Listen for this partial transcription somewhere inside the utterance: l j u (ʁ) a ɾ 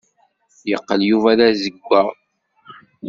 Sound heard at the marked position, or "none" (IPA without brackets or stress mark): v